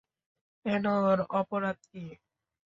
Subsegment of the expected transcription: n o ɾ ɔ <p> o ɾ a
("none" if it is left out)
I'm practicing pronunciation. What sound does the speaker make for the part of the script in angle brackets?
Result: p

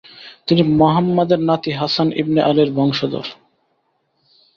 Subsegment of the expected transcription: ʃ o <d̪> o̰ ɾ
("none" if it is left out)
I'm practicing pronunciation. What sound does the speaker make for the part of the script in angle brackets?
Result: d̪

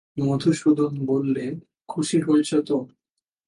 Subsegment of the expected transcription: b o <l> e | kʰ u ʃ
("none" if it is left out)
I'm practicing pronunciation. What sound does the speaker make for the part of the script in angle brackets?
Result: lː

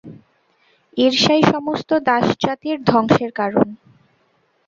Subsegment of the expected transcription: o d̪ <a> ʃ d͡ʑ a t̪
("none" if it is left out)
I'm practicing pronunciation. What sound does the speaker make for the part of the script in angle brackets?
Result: a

